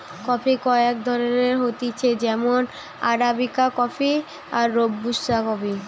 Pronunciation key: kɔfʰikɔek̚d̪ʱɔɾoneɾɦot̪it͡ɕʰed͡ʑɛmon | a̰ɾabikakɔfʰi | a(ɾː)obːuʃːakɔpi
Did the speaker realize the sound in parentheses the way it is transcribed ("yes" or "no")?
yes